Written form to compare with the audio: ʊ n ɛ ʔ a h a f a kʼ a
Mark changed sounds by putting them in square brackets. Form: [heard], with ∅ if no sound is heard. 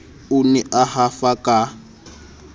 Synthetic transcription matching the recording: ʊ n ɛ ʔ a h a f a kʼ a